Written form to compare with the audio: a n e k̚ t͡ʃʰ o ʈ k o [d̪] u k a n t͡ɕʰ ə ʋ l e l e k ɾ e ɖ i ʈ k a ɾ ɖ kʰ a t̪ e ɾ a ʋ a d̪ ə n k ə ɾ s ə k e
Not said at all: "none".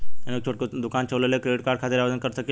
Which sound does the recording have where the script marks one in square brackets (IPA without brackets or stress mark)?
d̪